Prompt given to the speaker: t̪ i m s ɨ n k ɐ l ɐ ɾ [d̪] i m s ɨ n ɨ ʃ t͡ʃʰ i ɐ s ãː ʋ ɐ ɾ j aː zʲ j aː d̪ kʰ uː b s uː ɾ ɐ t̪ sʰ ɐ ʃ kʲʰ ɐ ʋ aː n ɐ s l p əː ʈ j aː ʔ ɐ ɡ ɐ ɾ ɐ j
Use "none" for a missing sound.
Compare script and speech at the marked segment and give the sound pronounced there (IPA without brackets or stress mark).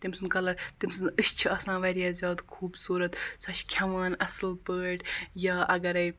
t̪